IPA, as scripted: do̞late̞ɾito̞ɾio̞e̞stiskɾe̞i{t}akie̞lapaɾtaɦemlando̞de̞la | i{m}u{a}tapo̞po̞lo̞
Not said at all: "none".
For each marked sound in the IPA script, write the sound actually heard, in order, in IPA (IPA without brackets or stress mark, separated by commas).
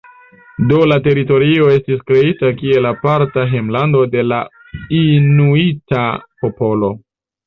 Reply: t, n, i